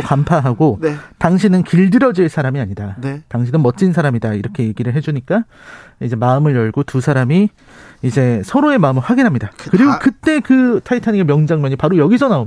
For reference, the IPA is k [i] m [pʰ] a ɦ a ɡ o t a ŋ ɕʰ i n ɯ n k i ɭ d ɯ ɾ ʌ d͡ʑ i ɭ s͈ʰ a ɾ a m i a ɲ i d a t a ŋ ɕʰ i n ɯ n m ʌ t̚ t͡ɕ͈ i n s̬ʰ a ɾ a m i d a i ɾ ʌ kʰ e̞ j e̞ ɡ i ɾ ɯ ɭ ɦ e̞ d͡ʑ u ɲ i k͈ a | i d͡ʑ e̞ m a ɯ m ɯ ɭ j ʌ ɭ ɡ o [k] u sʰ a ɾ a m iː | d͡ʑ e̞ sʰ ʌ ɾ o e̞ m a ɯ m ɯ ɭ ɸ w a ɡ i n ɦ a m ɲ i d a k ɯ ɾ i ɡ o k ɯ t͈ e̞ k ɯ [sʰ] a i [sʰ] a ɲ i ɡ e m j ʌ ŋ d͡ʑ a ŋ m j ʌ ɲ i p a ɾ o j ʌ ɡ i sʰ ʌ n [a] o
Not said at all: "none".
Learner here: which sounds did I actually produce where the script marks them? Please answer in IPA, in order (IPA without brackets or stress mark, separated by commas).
a, pʰ, t, tʰ, tʰ, a